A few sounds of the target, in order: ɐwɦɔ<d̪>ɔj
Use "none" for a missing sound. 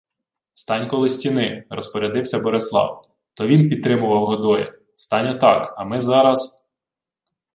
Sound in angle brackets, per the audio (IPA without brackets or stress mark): d̪